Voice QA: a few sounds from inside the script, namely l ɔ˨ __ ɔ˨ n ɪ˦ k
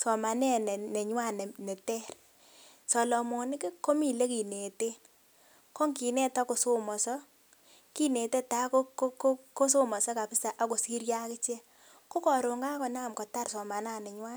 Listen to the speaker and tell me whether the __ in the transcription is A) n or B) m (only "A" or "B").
B